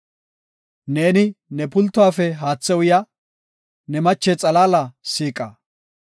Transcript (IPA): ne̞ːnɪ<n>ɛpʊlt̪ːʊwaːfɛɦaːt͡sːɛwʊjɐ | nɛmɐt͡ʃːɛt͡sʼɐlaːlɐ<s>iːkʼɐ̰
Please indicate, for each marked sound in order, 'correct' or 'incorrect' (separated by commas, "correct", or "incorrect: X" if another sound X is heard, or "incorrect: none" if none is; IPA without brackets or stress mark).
correct, correct